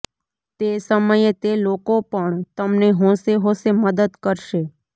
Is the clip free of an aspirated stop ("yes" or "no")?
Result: yes